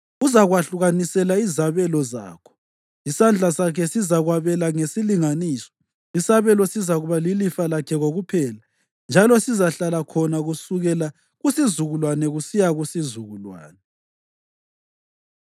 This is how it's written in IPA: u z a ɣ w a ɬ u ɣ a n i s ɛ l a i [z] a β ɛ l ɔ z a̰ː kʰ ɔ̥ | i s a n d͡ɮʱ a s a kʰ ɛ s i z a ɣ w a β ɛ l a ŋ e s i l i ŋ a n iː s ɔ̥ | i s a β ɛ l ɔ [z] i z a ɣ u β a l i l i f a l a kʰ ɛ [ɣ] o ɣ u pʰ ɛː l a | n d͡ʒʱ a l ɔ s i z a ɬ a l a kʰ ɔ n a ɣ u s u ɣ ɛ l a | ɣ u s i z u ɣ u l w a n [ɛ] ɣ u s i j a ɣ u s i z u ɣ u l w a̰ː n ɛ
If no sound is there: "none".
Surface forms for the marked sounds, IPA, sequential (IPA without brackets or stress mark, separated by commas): z, s, ɣ, ɛ